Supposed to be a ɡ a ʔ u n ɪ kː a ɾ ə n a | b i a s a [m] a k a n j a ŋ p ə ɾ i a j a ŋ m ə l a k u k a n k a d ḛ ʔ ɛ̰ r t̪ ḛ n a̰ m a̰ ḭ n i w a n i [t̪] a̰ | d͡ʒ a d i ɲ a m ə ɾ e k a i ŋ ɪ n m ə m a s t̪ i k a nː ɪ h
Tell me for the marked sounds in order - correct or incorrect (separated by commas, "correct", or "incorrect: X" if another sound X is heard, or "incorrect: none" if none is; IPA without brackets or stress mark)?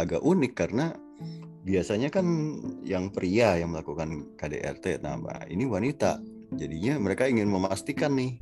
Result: incorrect: ɲ, correct